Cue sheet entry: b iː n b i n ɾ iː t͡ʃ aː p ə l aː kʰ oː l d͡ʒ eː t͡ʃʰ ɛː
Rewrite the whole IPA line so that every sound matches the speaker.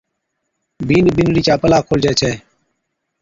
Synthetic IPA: b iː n b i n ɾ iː t͡ʃ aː p ə l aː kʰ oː l d͡ʒ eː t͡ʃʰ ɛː